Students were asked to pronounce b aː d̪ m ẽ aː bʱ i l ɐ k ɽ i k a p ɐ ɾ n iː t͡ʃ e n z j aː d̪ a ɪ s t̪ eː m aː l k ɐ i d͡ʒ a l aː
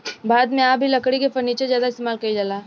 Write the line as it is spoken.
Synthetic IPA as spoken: b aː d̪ m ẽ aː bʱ i l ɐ k ɽ i k e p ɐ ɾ n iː t͡ʃ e z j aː d̪ a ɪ s t̪ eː m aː l k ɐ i d͡ʒ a l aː